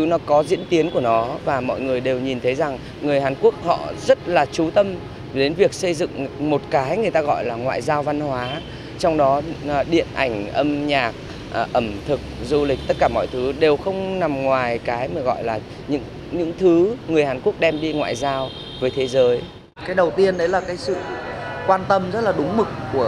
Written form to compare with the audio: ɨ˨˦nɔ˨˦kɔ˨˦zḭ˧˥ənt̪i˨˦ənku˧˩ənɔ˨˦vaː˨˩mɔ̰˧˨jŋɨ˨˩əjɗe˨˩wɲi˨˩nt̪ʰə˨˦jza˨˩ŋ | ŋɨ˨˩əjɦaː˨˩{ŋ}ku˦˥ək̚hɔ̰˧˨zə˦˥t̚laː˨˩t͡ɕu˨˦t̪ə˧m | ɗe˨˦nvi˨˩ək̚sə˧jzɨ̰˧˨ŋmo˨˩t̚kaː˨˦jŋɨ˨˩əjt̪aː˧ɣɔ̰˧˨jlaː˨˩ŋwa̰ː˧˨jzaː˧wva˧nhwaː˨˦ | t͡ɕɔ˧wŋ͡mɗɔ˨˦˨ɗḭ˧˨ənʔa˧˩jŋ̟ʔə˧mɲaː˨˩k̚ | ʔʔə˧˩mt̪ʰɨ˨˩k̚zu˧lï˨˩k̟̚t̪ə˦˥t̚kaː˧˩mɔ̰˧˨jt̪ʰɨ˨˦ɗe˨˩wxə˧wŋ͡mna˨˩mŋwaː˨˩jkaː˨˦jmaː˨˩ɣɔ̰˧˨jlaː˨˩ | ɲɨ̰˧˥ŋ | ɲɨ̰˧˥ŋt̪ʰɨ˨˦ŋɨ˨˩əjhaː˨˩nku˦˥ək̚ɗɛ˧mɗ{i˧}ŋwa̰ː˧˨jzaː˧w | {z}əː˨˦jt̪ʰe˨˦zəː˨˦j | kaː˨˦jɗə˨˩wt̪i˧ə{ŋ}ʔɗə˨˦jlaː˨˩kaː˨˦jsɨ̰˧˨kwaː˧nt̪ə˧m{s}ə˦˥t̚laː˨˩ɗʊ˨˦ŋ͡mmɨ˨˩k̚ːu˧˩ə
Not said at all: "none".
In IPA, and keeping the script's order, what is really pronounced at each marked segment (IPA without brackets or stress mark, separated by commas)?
n, i˧, v, n, z